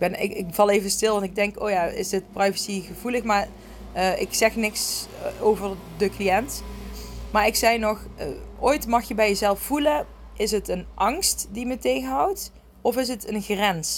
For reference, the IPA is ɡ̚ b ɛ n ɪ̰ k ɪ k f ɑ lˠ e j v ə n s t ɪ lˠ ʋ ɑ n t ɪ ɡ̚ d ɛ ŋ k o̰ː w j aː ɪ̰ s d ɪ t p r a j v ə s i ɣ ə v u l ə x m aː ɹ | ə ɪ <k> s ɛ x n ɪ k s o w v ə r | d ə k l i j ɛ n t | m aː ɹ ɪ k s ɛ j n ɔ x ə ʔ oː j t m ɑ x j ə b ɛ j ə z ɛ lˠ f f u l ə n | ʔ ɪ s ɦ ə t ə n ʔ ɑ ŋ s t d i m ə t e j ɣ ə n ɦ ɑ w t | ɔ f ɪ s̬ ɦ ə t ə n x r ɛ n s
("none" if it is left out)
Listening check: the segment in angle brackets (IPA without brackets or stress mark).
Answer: k